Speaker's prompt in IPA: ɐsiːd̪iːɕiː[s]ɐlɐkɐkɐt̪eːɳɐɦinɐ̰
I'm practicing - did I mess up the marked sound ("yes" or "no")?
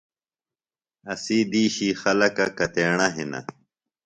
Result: yes